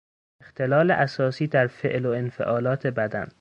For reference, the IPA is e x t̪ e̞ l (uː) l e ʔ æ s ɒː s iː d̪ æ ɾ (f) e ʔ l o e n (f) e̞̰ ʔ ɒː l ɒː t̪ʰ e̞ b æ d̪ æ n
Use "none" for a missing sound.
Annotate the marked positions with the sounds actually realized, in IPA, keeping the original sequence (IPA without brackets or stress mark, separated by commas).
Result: ɒː, f, f